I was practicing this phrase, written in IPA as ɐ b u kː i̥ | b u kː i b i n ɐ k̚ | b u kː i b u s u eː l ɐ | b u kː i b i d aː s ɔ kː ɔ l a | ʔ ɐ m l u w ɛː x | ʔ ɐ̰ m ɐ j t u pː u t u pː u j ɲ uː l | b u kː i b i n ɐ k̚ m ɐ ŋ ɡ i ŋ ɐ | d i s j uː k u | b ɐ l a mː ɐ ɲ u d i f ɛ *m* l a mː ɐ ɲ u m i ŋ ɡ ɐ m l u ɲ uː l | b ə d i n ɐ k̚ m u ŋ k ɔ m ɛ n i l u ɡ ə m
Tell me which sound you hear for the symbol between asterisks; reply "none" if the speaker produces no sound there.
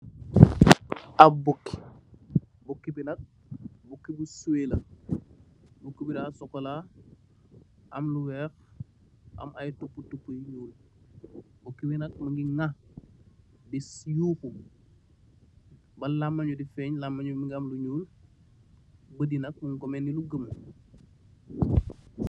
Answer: ɲ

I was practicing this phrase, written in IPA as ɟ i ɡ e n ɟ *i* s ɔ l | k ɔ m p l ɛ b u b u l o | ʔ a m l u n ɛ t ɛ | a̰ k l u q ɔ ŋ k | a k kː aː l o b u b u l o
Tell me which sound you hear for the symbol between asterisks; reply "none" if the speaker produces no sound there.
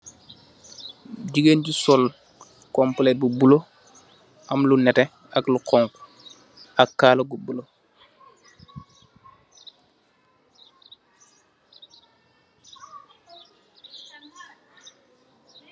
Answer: i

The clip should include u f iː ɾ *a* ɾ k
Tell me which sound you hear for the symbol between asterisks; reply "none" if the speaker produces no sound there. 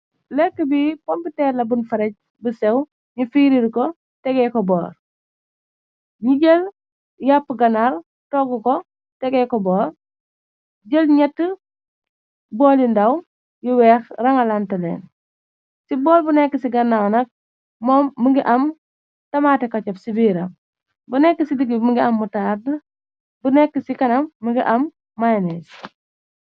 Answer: i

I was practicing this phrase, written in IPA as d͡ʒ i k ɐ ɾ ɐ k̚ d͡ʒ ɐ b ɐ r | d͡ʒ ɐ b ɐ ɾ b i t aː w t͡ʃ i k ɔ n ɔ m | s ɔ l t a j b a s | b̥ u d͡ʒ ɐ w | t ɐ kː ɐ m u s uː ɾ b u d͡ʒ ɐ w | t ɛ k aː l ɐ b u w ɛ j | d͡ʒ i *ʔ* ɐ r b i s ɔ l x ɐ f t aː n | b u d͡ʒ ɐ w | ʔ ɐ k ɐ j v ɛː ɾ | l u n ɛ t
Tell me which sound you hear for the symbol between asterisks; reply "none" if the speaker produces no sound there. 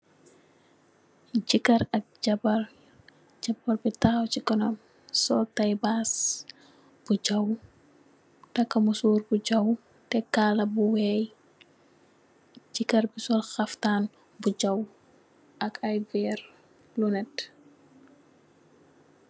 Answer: k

